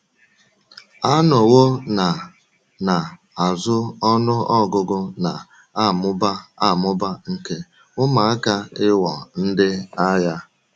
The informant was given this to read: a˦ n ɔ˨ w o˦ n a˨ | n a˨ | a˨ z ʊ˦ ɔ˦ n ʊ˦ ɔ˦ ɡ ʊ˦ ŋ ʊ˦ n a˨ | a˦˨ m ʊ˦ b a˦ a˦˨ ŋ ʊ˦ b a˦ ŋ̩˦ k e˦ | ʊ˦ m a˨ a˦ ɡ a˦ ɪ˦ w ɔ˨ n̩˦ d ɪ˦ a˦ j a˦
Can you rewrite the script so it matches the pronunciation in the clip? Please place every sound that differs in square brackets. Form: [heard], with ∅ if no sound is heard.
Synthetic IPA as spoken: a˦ n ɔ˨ w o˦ n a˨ | n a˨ | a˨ z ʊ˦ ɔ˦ n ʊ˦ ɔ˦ ɡ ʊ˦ [ɡ] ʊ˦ n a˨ | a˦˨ m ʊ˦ b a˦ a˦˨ [m] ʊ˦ b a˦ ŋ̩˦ k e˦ | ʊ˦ m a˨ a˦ [k] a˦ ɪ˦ w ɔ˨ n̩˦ d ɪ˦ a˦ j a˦